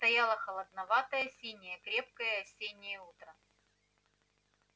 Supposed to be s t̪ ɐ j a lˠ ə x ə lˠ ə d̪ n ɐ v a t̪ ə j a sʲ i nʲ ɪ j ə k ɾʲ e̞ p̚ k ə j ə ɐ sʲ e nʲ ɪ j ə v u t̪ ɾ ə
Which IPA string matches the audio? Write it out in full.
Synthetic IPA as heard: s t̪ ɐ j a lˠ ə x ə lˠ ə d̪ n ɐ v a t̪ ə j ə sʲ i nʲ ɪ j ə k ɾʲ e̞ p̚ k ə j ə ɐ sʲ e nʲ ɪ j ə u t̪ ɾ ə